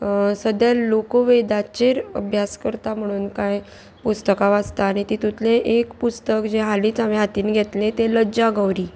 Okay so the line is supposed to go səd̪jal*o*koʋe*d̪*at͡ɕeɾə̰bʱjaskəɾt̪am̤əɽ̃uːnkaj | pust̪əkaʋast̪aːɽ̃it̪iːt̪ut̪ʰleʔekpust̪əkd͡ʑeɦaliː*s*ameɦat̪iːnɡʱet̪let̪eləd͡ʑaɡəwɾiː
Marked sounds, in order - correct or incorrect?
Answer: correct, correct, incorrect: t͡s

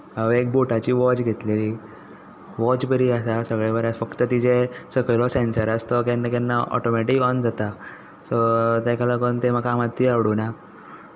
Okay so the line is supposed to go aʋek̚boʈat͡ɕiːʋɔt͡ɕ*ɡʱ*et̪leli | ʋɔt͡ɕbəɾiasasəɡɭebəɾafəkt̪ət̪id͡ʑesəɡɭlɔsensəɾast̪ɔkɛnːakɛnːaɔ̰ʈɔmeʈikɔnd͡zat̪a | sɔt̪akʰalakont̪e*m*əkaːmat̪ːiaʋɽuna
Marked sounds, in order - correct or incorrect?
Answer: correct, correct

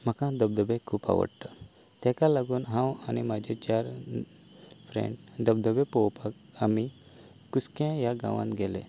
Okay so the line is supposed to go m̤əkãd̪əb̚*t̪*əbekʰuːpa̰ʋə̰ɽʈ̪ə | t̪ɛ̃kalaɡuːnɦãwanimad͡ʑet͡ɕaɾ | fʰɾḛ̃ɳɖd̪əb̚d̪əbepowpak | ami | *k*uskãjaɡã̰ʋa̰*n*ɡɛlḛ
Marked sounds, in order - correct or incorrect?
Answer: incorrect: d̪, correct, correct

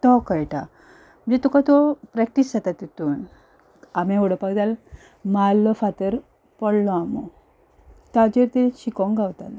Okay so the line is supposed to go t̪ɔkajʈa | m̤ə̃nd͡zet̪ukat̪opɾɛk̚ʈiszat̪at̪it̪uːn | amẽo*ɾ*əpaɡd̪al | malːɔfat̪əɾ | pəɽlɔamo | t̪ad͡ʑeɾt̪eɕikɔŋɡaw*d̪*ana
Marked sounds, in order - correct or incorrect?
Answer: incorrect: ɽ, incorrect: t̪

